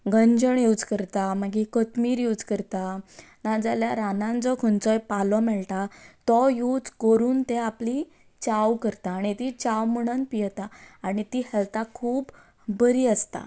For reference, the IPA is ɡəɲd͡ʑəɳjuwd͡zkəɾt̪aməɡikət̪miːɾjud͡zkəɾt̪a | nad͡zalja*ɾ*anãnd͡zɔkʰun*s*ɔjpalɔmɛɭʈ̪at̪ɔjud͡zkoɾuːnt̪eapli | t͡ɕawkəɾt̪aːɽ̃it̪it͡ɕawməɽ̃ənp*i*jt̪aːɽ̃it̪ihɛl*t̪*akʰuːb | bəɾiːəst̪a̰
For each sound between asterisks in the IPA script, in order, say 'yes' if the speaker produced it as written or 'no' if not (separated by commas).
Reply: yes, no, yes, yes